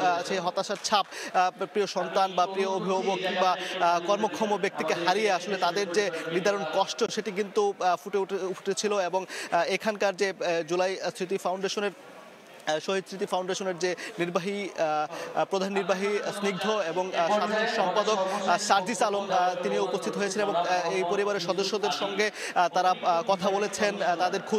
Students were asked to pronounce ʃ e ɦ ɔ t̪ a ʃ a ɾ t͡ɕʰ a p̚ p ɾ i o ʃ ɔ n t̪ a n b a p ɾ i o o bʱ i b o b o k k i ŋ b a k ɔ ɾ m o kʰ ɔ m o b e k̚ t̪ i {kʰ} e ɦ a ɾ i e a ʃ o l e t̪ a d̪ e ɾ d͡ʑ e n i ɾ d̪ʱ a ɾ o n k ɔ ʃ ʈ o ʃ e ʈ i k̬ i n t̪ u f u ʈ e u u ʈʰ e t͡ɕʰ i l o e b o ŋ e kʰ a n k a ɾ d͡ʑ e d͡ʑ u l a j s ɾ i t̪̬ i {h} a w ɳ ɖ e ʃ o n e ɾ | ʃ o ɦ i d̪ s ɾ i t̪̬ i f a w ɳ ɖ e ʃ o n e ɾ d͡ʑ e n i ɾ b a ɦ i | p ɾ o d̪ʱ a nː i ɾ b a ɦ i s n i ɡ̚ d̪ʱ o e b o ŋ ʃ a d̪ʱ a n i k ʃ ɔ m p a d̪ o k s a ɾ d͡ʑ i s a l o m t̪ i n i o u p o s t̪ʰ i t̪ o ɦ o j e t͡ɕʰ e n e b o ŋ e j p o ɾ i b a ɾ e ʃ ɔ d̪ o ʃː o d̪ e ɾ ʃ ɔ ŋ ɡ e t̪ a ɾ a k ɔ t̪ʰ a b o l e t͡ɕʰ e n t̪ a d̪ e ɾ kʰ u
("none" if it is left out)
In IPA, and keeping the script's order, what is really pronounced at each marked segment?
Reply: k, f

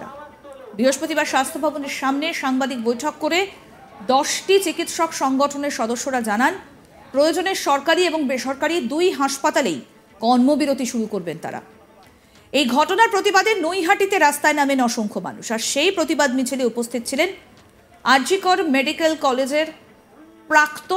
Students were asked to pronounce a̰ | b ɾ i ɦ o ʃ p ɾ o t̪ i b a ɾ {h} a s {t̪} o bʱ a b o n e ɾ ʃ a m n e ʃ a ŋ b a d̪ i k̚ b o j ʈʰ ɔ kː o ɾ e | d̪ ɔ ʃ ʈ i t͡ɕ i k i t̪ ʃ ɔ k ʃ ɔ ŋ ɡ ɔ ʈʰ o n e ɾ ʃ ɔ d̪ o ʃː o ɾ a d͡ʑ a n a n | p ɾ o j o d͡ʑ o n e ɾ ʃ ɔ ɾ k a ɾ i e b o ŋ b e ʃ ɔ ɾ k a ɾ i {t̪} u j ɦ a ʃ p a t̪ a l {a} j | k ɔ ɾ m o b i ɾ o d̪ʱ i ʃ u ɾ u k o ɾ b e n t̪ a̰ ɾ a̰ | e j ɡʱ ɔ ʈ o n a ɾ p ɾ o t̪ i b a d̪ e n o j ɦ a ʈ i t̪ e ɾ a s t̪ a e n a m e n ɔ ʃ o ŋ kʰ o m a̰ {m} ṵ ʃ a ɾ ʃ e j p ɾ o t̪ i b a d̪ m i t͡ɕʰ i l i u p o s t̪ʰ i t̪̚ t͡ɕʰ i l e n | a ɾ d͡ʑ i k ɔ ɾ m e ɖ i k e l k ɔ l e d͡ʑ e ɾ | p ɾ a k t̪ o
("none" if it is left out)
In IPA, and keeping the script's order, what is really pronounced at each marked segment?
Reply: ʃ, t̪ʰ, d̪, e, n

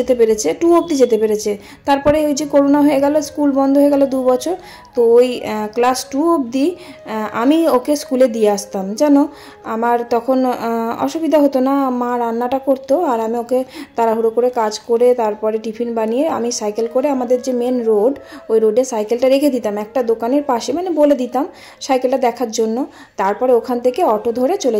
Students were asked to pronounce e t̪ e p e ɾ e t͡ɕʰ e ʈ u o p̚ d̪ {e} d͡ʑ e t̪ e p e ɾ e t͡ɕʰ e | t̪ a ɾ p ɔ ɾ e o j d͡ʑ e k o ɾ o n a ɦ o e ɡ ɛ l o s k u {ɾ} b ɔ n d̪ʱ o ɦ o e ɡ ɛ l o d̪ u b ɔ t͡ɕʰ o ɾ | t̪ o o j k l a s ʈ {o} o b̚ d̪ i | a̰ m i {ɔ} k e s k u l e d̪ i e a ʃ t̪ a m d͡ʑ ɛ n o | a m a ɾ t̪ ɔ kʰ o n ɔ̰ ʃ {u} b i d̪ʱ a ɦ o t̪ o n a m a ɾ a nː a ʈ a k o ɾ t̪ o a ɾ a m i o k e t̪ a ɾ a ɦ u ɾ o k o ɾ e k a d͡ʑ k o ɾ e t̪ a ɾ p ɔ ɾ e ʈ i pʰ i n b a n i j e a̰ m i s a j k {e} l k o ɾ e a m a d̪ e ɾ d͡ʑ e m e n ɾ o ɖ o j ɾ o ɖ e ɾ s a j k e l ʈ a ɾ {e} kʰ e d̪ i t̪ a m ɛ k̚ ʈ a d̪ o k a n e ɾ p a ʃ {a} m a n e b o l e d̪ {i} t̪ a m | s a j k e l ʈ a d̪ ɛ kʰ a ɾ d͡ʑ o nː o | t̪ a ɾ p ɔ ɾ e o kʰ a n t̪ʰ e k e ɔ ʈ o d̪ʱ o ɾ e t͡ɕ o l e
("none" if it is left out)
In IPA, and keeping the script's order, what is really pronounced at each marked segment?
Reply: i, l, u, o, u, e, e, e, i

